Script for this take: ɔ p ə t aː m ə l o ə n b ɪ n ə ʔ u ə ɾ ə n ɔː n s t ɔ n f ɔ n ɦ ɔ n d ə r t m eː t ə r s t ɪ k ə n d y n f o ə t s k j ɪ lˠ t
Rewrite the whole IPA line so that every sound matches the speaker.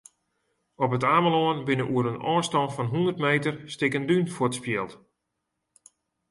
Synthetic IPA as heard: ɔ p ə t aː m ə l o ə n b ɪ n ə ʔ u ə ɾ ə n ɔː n s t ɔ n f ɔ n ɦ u n d ə r t m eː t ə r s t ɪ k ə n d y n f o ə t s p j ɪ lˠ t